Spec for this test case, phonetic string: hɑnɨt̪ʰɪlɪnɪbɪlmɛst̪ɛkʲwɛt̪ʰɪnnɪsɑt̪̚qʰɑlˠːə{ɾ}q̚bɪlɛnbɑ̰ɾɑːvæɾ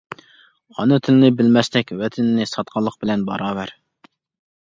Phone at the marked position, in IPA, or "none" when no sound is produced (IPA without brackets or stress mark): none